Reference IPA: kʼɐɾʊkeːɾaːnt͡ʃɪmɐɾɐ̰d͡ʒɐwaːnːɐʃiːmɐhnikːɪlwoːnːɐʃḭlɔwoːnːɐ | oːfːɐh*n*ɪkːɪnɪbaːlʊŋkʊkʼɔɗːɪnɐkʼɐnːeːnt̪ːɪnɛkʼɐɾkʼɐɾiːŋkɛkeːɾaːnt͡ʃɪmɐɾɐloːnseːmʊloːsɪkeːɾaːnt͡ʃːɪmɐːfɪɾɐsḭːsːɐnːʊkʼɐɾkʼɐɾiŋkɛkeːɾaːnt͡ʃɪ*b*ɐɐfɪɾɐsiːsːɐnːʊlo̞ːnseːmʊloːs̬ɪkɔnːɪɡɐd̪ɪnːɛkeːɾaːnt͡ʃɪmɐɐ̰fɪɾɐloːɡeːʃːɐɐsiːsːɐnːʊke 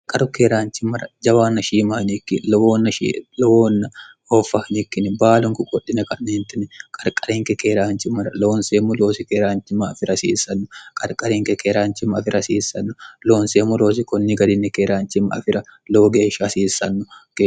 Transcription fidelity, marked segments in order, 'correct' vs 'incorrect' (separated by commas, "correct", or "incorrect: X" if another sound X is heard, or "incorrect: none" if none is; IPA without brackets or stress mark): correct, incorrect: m